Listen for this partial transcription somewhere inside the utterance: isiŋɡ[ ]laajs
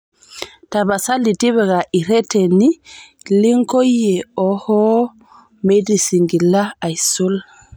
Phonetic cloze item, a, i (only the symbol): i